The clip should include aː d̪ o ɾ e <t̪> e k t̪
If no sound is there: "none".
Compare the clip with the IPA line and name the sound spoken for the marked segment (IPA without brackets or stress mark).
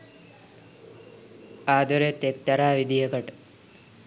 t̪